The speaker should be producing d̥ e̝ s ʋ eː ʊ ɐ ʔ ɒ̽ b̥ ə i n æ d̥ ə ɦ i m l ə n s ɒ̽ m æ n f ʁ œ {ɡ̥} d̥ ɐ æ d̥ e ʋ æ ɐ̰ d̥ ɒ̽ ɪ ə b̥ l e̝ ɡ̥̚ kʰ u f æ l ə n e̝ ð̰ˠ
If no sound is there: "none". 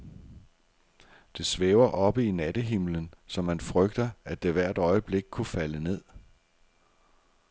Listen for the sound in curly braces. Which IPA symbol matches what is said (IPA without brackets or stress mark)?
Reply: ɡ̥